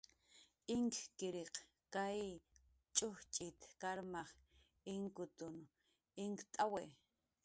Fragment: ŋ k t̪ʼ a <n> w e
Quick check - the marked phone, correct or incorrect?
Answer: incorrect